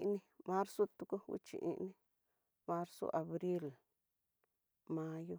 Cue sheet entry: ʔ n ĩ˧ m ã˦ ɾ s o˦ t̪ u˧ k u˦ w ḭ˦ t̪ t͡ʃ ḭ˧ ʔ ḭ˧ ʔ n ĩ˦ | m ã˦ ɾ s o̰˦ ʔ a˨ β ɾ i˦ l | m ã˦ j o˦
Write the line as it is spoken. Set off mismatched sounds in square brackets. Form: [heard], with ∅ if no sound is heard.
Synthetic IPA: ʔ n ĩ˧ m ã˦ ɾ s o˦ t̪ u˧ k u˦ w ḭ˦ [∅] t͡ʃ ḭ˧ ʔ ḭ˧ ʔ n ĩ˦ | m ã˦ ɾ s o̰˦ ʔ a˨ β ɾ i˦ l | m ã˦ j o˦